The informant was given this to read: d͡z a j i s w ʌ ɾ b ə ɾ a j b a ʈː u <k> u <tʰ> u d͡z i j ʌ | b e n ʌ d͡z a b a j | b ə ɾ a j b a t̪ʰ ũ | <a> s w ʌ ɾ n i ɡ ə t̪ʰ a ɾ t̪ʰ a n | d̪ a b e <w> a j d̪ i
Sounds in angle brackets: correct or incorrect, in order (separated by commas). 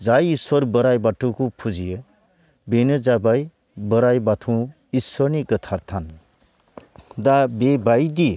correct, incorrect, incorrect, incorrect